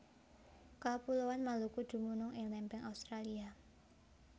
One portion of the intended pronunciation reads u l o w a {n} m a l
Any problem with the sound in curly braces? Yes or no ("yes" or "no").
no